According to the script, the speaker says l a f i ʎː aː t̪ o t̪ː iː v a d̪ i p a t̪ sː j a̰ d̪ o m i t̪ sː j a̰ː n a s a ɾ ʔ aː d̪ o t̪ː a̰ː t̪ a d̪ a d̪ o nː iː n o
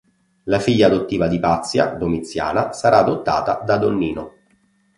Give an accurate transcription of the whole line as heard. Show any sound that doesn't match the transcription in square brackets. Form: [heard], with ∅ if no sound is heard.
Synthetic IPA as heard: l a f i ʎː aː [d̪] o t̪ː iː v a d̪ i p a t̪ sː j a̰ d̪ o m i t̪ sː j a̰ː n a s a ɾ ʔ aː d̪ o t̪ː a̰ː t̪ a d̪ a d̪ o nː iː n o